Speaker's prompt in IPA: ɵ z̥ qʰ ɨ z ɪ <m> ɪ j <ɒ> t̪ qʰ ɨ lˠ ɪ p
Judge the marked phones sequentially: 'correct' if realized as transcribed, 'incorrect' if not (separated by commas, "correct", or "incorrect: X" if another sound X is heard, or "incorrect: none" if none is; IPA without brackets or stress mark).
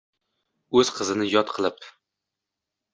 incorrect: n, correct